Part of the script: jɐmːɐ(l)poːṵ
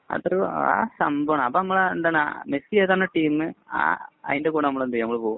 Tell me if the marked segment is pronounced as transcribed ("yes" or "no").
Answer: no